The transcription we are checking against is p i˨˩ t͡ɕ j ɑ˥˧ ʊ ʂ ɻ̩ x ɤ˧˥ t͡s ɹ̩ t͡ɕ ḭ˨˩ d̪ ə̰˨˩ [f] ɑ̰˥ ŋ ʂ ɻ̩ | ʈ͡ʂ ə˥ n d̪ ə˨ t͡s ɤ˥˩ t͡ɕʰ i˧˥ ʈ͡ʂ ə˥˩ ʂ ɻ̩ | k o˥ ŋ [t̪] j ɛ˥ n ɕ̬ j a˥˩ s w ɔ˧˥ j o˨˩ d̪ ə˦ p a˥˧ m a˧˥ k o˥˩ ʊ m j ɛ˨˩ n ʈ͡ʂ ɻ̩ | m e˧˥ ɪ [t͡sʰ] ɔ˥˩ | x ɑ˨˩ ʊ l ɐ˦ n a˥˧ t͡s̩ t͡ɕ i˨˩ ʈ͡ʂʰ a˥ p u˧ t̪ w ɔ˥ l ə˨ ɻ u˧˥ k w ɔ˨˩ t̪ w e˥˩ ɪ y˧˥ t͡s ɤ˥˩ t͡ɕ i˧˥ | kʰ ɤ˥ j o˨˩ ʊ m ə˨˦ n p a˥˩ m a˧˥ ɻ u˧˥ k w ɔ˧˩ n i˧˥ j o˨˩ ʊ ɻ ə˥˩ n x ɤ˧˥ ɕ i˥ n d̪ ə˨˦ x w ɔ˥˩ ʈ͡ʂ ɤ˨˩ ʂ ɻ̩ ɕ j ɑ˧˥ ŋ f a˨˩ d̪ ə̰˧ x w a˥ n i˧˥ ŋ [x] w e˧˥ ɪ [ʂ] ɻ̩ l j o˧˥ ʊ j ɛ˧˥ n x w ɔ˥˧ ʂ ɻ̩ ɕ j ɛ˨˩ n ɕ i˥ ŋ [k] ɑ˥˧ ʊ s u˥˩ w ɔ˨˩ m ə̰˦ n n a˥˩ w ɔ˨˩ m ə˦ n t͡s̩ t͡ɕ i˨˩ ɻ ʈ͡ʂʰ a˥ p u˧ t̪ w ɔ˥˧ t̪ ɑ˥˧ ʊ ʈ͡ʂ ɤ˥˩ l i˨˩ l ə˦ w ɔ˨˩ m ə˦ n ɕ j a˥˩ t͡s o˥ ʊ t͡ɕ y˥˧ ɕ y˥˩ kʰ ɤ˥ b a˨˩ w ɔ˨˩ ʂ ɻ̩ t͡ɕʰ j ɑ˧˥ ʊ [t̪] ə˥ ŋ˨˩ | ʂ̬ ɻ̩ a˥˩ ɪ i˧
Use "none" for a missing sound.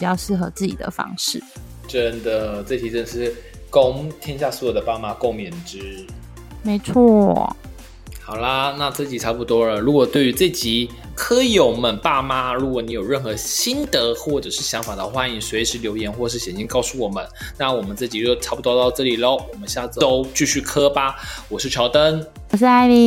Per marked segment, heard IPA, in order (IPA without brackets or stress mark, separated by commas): f, t̪ʰ, t͡sʰ, s, ʂ, k, t̪